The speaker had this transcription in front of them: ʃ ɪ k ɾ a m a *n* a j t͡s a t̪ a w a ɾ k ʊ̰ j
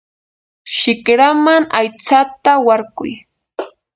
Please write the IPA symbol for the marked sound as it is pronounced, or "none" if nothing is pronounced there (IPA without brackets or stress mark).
ŋ